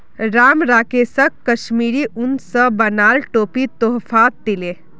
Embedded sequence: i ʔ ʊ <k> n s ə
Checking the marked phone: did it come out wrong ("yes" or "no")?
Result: yes